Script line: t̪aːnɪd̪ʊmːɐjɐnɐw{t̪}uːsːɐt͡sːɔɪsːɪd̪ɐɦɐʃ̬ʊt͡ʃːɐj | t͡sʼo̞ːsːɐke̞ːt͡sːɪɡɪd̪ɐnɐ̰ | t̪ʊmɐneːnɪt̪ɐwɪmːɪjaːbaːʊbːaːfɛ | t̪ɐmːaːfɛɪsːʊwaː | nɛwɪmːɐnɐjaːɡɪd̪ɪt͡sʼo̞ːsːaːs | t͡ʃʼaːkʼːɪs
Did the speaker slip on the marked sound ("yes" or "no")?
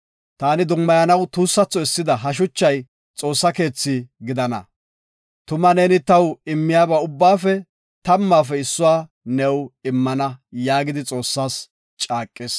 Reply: no